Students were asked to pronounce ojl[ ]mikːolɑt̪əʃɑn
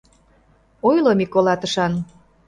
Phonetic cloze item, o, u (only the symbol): o